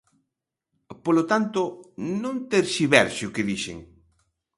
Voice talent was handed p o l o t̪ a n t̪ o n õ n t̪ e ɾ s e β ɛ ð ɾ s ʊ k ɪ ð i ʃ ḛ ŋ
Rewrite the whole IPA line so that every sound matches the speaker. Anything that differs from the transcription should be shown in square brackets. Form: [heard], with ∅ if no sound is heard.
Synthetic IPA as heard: p o l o t̪ a n t̪ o n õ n t̪ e ɾ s [i] β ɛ [∅] ɾ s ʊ k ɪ ð i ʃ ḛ ŋ